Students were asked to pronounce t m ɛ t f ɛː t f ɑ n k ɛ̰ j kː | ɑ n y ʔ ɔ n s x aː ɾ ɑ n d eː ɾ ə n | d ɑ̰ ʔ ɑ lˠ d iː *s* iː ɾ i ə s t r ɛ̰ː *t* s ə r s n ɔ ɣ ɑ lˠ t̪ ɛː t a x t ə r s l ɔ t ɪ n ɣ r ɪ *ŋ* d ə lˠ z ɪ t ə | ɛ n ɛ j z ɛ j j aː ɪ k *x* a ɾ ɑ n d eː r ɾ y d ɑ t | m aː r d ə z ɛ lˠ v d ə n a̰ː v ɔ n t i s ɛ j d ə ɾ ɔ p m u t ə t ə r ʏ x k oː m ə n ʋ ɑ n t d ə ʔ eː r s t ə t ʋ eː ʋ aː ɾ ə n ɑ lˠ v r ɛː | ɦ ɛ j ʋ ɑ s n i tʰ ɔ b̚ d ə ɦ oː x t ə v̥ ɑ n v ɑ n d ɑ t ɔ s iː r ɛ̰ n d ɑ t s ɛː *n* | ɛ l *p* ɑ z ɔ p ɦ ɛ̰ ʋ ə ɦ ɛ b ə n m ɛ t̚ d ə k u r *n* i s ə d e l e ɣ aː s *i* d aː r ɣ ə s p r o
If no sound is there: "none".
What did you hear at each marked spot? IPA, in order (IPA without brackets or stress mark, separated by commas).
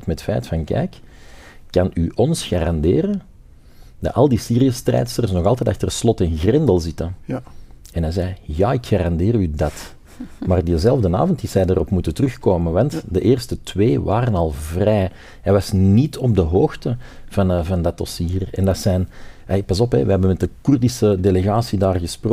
s, t, n, x, n, p, d, i